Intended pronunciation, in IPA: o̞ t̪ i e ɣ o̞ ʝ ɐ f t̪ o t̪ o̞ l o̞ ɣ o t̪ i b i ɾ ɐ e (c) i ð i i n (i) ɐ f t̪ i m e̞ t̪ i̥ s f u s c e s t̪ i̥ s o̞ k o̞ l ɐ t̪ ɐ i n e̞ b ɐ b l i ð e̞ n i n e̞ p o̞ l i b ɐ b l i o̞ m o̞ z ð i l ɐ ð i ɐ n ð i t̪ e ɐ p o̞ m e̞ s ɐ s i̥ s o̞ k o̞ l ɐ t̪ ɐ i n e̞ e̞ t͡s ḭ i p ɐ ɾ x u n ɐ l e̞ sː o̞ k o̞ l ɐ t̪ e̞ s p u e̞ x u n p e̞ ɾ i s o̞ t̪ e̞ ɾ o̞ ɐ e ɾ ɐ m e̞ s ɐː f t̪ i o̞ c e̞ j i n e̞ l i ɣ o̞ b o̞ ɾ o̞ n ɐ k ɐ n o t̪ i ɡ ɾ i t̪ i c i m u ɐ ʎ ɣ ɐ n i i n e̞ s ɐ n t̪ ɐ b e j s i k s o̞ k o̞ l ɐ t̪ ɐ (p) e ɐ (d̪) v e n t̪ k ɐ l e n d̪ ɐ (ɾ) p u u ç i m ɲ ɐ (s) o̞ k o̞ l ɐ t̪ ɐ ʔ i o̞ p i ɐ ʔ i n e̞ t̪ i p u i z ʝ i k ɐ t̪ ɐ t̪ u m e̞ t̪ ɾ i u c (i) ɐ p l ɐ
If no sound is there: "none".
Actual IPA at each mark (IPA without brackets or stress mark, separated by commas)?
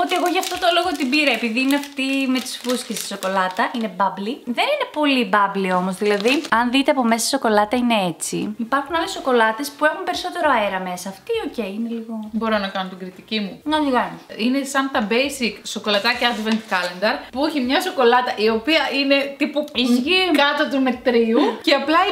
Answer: p, e, c, d̪, ɾ, s, e